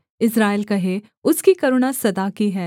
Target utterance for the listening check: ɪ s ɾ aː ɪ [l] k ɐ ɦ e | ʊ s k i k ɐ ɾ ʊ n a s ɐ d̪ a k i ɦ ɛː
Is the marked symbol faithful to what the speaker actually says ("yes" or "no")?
yes